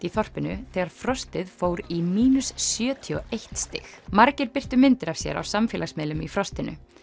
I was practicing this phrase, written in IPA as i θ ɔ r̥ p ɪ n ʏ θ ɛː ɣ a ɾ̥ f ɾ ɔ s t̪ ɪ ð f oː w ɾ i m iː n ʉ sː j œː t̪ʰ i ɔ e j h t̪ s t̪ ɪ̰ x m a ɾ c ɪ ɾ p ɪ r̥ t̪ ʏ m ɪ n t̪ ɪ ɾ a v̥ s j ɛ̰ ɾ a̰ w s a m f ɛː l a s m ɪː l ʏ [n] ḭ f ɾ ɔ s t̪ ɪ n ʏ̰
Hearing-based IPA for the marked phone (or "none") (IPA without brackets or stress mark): m